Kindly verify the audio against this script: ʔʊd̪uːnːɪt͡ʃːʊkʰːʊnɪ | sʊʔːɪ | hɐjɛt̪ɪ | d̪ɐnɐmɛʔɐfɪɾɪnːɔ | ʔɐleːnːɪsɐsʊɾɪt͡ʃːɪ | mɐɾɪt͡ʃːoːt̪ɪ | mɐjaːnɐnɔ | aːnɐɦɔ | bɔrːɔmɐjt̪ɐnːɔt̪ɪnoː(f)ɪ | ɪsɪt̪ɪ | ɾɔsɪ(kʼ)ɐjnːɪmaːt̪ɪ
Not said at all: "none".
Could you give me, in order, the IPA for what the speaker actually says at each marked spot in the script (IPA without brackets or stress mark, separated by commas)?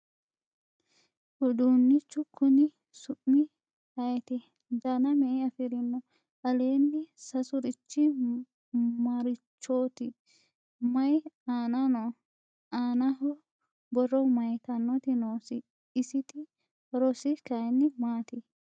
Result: s, k